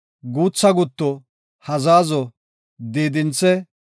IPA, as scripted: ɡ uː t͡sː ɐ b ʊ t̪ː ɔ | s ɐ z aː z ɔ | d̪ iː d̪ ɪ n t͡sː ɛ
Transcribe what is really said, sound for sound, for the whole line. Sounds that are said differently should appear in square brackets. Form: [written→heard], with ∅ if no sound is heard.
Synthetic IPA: ɡ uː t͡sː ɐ [b→ɡ] ʊ t̪ː ɔ | [s→h] ɐ z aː z ɔ | d̪ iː d̪ ɪ n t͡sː ɛ